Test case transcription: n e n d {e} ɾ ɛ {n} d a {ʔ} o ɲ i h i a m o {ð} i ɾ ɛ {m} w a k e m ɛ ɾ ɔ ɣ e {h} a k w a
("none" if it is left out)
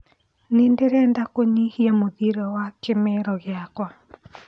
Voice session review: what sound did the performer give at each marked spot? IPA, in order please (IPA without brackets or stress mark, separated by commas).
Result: e, n, k, ð, none, none